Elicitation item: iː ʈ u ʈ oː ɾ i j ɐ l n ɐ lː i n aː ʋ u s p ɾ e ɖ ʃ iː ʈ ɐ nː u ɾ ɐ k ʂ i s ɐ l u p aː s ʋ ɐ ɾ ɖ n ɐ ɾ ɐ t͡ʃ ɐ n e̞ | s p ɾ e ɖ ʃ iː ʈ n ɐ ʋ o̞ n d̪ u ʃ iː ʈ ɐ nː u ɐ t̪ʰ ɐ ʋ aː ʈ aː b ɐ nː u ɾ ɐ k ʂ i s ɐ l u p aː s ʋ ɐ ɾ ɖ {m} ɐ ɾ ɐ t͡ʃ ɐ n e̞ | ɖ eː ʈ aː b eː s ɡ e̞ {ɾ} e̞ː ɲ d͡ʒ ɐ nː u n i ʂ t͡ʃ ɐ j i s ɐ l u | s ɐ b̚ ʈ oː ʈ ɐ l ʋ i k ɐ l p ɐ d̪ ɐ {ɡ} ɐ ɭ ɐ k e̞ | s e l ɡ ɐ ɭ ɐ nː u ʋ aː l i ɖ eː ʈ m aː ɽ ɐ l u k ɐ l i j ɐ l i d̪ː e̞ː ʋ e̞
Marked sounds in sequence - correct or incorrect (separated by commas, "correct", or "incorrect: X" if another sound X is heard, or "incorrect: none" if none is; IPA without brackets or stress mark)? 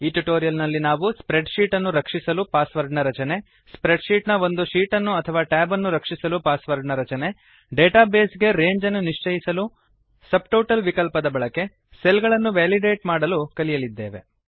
incorrect: n, correct, incorrect: b